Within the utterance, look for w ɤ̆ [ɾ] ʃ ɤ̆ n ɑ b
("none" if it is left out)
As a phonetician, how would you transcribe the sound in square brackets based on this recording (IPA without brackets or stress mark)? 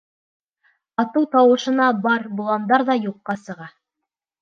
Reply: none